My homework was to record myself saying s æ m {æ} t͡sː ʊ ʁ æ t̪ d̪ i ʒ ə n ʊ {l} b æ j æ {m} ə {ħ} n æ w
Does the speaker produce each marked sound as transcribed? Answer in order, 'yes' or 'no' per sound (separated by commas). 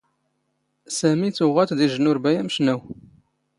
no, no, yes, no